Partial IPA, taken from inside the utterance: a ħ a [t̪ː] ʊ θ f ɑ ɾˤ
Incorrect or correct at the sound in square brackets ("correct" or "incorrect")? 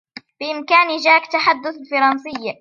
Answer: incorrect